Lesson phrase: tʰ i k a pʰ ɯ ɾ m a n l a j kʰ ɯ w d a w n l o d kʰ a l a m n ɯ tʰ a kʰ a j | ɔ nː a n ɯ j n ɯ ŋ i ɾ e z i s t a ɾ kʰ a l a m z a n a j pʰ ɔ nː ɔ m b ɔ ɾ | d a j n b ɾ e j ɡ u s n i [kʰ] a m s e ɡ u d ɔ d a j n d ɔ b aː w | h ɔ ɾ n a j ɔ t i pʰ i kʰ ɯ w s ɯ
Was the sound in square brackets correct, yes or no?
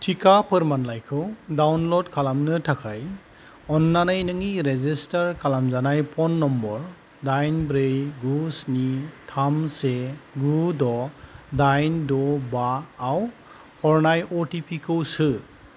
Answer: no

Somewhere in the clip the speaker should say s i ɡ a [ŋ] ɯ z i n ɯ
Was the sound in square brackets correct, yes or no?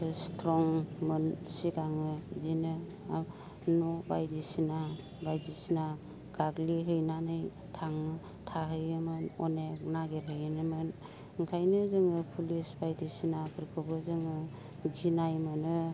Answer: yes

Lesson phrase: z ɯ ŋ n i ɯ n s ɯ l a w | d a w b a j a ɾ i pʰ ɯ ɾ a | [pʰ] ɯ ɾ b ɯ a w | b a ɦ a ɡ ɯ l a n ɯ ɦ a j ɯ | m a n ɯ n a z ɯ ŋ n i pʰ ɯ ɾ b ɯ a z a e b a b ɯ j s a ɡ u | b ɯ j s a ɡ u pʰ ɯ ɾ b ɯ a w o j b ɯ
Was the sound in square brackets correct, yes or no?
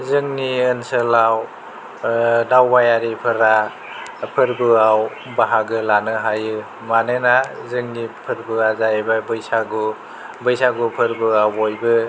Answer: yes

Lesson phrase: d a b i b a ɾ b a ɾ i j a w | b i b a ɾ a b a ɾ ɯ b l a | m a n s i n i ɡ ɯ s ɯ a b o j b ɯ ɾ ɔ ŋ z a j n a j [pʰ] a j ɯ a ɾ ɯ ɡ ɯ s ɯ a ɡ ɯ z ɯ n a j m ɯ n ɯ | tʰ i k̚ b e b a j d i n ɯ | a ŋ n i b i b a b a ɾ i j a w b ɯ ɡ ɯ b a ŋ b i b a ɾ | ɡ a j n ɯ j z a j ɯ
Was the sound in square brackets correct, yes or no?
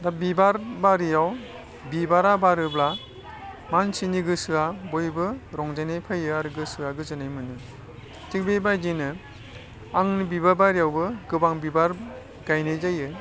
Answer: yes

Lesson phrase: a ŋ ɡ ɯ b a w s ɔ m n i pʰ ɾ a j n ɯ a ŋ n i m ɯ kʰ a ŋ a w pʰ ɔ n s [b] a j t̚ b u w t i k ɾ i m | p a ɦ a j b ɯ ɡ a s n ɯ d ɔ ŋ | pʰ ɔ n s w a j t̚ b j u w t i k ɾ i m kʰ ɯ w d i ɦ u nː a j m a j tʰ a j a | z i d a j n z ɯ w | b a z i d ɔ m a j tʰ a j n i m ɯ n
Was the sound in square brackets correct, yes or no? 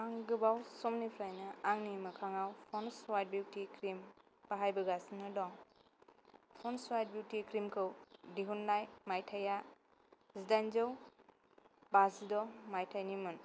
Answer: no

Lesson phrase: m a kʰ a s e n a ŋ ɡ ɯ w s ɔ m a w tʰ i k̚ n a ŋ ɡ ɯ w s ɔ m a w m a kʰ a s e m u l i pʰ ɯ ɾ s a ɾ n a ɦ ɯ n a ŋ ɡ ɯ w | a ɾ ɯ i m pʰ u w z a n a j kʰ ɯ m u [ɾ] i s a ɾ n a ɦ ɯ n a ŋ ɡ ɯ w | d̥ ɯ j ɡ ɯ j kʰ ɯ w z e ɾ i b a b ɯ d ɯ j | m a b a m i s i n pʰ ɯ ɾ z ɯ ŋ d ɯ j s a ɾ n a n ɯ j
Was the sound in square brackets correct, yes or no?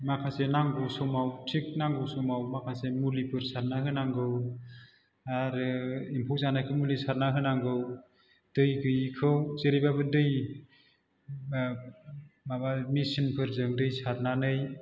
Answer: no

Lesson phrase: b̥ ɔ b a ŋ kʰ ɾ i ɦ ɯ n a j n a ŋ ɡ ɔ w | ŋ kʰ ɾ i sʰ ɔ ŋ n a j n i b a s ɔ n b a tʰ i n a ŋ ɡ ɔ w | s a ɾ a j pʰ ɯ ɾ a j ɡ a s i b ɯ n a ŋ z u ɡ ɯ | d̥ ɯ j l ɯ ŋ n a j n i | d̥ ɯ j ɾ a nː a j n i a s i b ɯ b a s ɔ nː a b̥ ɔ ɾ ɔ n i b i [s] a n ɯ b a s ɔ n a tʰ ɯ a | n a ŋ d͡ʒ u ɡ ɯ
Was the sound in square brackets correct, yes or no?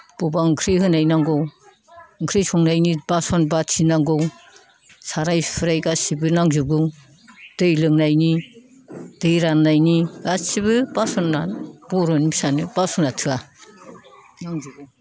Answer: yes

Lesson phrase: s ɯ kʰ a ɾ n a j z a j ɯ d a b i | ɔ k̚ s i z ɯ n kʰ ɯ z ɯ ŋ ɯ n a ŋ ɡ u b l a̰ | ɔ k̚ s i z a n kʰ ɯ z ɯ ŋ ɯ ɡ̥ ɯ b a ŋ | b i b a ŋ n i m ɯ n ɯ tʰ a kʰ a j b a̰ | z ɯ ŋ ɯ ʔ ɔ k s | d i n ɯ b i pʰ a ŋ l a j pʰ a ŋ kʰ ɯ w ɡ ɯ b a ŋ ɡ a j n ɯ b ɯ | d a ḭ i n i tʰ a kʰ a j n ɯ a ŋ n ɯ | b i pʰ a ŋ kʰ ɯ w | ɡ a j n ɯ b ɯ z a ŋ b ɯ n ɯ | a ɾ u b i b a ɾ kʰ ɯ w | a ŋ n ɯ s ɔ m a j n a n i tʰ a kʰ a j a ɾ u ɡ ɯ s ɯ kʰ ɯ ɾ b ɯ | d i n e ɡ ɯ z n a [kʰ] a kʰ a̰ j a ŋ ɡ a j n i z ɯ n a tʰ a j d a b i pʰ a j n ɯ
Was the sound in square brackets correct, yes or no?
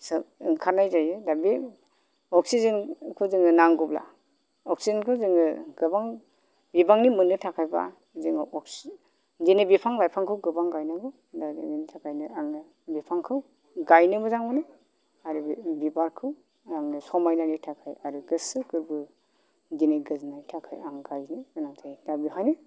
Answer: no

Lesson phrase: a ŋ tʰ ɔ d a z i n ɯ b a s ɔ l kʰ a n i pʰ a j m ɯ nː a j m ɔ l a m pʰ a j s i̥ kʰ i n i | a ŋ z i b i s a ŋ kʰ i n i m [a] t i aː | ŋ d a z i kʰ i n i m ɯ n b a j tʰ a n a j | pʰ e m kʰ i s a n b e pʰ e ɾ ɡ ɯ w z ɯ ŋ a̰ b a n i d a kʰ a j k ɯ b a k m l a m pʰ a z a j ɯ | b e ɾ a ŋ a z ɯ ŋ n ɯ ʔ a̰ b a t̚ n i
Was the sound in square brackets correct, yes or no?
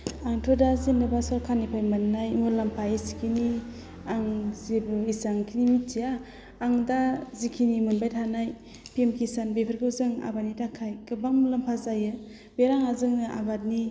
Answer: no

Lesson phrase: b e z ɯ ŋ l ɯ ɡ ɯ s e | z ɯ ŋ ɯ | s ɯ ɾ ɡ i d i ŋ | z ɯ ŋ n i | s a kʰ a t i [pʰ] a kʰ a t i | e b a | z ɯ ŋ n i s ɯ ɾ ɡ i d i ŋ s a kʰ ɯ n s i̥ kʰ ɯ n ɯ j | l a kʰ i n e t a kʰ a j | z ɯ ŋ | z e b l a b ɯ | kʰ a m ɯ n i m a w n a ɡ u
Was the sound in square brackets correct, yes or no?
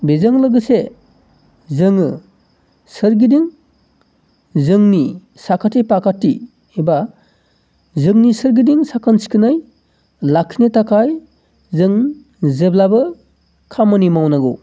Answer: no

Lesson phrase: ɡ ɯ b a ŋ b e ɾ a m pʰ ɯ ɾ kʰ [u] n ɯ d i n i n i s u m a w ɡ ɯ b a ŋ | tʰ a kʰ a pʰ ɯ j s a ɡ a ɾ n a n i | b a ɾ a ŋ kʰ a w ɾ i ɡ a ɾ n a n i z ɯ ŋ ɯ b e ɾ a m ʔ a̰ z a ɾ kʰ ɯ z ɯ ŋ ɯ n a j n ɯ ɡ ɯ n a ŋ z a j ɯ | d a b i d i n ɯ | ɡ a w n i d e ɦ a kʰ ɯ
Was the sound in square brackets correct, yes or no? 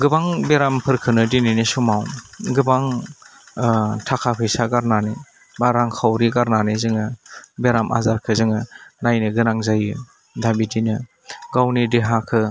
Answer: no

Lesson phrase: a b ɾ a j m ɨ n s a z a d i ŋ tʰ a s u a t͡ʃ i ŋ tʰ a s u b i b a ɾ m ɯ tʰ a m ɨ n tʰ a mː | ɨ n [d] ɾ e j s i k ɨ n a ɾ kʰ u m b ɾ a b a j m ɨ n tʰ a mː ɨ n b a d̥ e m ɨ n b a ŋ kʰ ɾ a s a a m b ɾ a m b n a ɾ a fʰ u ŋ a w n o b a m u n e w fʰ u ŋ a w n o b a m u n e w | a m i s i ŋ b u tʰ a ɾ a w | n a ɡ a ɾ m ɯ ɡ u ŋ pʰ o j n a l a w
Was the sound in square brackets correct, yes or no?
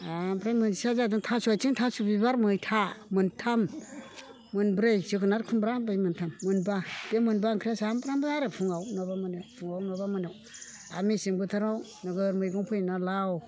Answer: no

